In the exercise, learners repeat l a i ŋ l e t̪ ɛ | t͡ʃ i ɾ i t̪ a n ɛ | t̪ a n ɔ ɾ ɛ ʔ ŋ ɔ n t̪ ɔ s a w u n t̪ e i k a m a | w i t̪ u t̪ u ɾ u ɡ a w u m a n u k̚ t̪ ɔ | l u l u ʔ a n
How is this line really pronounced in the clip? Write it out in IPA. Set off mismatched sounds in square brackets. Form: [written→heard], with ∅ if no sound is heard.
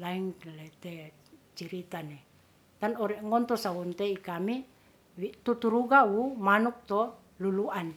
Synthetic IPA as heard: l a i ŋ l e t̪ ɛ | t͡ʃ i ɾ i t̪ a n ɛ | t̪ a n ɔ ɾ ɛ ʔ ŋ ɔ n t̪ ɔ s a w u n t̪ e i k a m [a→i] | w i t̪ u t̪ u ɾ u ɡ a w u m a n u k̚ t̪ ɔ | l u l u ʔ a n